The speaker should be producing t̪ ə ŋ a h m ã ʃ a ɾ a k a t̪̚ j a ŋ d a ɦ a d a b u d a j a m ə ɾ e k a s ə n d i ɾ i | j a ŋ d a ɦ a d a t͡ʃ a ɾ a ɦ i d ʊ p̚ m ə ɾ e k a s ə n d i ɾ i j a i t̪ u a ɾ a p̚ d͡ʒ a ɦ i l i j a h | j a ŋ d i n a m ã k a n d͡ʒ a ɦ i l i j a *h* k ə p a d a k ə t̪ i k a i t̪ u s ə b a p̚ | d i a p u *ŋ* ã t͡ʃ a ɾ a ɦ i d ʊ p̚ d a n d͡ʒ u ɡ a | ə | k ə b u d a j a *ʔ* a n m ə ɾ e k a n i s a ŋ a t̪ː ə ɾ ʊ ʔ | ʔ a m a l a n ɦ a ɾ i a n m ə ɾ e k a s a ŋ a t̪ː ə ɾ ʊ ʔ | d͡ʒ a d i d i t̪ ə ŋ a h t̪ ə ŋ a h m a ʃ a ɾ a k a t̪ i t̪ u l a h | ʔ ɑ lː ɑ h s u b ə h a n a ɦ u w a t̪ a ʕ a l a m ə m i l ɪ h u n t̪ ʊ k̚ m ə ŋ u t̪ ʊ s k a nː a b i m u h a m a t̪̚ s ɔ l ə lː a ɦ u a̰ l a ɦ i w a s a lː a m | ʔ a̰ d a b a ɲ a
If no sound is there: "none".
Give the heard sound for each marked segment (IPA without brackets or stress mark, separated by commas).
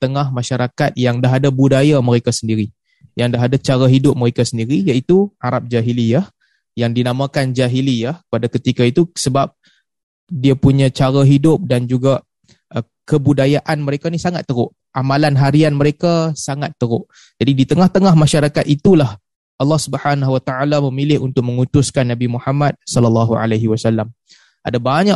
h, ɲ, ʔ